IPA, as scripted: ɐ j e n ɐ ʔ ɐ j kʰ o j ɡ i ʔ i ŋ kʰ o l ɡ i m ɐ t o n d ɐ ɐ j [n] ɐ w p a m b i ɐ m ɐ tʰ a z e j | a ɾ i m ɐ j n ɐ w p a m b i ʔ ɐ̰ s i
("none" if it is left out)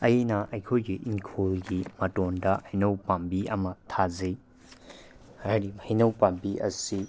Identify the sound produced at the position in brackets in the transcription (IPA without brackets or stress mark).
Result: n